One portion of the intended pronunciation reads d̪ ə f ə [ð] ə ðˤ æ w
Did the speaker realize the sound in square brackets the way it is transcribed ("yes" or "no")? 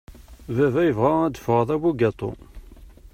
no